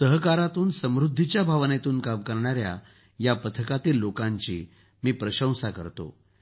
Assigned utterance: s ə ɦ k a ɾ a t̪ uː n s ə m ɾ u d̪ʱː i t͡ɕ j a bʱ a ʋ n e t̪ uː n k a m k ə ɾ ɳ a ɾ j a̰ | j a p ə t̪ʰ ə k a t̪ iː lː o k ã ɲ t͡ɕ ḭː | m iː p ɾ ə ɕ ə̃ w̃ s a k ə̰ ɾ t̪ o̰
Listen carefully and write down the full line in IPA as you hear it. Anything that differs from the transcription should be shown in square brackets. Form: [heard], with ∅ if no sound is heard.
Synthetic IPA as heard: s ə ɦ k a ɾ a t̪ uː n s ə m ɾ u d̪ʱː i t͡ɕ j a bʱ a ʋ n e t̪ uː n k a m k ə ɾ ɳ a ɾ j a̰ | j a p ə t̪ʰ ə k a t̪ iː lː o k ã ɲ t͡ɕ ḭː | m iː p ɾ ə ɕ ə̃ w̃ s a k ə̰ ɾ t̪ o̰